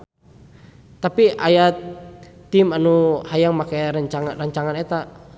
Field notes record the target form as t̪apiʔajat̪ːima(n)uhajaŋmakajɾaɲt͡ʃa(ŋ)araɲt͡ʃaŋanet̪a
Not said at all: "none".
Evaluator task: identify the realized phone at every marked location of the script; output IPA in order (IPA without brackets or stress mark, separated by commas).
n, ŋ